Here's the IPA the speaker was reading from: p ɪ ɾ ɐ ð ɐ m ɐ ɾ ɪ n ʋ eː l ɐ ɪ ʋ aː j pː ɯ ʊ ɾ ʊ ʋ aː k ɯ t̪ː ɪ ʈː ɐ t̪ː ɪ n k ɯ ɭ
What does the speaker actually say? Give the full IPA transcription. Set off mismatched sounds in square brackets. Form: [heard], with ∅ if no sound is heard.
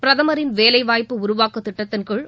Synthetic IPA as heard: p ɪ ɾ ɐ ð ɐ m ɐ ɾ ɪ n ʋ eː l ɐ ɪ ʋ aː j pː ɯ ʊ ɾ ʊ ʋ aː k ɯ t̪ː ɪ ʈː ɐ t̪ː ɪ n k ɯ ɭ